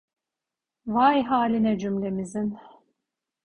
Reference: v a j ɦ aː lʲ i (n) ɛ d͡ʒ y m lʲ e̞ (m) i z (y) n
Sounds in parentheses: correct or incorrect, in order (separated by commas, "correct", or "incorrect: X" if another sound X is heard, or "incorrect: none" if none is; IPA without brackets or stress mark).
correct, correct, incorrect: i